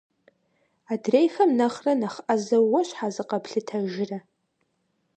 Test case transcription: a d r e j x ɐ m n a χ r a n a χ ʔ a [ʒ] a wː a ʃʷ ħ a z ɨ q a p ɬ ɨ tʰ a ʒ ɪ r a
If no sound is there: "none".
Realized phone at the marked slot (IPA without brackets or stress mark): z